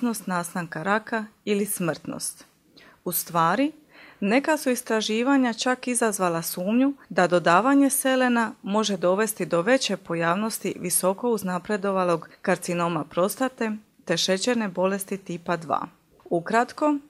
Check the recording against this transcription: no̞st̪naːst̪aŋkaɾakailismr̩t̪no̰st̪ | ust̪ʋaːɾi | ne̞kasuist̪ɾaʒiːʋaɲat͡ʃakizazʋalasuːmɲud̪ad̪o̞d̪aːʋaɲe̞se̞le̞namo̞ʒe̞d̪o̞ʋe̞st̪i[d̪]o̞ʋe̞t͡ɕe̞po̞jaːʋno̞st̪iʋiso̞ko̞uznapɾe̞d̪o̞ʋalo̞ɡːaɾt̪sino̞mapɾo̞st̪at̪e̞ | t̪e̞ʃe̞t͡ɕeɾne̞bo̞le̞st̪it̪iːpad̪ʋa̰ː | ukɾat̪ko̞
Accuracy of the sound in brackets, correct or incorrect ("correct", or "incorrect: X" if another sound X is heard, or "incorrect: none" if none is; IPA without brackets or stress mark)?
correct